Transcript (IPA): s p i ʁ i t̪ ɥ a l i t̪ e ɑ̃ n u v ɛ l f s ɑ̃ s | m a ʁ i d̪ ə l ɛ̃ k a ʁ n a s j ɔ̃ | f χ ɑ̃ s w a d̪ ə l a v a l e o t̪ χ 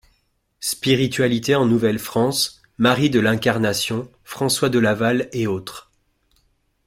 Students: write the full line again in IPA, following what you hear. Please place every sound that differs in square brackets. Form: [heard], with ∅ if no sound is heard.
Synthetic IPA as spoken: s p i ʁ i t̪ ɥ a l i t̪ e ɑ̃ n u v ɛ l f [χ] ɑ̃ s | m a ʁ i d̪ ə l ɛ̃ k a ʁ n a s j ɔ̃ | f χ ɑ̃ s w a d̪ ə l a v a l e o t̪ χ